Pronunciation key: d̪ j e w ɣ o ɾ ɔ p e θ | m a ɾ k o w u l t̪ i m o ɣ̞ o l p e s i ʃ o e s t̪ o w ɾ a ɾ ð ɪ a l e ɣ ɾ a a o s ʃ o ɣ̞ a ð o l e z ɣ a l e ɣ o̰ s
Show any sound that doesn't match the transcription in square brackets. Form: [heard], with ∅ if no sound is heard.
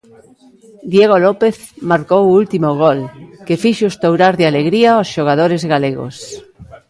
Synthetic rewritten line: d̪ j e [∅] ɣ o [l] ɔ p e θ | m a ɾ k o w u l t̪ i m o ɣ̞ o l [k] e [f] i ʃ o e s t̪ o w ɾ a ɾ ð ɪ a l e ɣ ɾ [i] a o s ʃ o ɣ̞ a ð o [ɾ] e z ɣ a l e ɣ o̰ s

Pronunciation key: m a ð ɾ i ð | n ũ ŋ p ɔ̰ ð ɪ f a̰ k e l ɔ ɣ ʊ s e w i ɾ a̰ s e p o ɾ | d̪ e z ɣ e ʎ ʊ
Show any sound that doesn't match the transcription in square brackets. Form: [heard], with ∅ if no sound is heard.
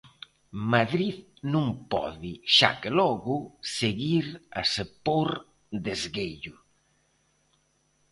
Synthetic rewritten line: m a ð ɾ i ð | n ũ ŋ p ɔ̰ ð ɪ [ʃ] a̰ k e l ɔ ɣ ʊ s e [ɣ] i ɾ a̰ s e p o ɾ | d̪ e z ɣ e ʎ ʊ

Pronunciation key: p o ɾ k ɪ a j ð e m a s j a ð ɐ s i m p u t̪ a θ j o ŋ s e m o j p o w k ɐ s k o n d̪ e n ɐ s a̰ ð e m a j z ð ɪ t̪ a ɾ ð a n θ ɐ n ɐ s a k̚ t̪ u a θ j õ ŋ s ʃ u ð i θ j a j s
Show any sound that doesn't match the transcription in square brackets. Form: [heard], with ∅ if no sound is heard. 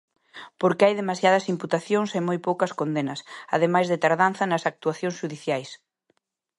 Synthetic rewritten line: p o ɾ k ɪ a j ð e m a s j a ð ɐ s i m p u t̪ a θ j o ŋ s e m o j p o w k ɐ s k o n d̪ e n ɐ s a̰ ð e m a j z ð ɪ t̪ a ɾ ð a n θ ɐ n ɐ s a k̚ t̪ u a θ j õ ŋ s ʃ u ð i θ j a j s

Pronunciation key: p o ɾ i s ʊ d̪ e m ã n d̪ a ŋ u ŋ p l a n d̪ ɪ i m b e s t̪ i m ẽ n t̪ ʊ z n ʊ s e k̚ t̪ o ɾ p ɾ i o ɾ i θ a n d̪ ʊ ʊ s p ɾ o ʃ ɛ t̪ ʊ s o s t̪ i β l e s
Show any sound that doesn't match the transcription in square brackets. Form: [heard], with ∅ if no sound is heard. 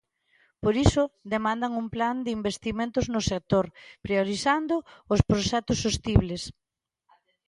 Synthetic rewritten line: p o ɾ i s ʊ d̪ e m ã n d̪ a ŋ u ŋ p l a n d̪ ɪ i m b e s t̪ i m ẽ n t̪ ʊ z n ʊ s e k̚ t̪ o ɾ p ɾ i o ɾ i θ a n d̪ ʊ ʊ s p ɾ o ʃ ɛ t̪ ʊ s o s t̪ i β l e s

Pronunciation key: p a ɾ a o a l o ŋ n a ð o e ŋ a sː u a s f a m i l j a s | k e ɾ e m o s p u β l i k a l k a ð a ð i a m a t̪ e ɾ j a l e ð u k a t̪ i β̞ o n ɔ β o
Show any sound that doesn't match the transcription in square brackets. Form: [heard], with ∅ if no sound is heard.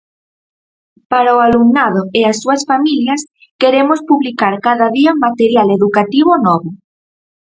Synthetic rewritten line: p a ɾ a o a l [u] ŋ n a ð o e [∅] a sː u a s f a m i l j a s | k e ɾ e m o s p u β l i k a [ɾ] k a ð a ð i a m a t̪ e ɾ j a l e ð u k a t̪ i β̞ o n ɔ β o

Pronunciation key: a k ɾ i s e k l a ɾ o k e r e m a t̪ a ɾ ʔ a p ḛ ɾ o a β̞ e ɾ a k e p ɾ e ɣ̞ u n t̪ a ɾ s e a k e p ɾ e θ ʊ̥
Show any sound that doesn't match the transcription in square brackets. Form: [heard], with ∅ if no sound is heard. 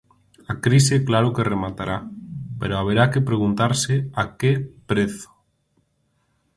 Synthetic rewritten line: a k ɾ i s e k l a ɾ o k e r e m a t̪ a ɾ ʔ a p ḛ ɾ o a β̞ e ɾ a k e p ɾ e ɣ̞ u n t̪ a ɾ s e a k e p ɾ e θ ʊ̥

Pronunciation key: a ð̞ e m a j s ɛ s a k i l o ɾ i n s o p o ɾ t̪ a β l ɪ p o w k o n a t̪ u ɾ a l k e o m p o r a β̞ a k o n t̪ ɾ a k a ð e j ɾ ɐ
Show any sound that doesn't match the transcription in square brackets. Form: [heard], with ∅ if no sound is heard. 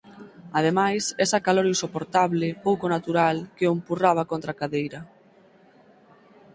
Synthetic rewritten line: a ð̞ e m a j s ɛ s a k [a] l o ɾ i n s o p o ɾ t̪ a β l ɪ p o w k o n a t̪ u ɾ a l k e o m p [u] r a β̞ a k o n t̪ ɾ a k a ð e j ɾ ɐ

